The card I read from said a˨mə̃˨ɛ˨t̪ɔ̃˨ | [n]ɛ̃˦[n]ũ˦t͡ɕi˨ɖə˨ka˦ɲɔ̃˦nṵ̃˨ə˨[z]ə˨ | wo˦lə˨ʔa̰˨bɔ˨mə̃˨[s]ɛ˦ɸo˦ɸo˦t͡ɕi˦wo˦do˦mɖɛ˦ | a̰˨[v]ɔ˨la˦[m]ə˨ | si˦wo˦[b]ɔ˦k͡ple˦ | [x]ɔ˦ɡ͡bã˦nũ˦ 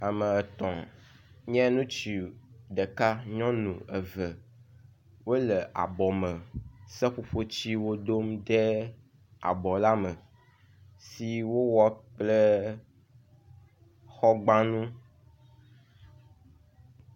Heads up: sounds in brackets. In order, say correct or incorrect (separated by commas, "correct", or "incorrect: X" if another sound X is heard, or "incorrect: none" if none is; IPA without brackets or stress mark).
incorrect: ɲ, correct, incorrect: v, correct, incorrect: b, correct, incorrect: w, correct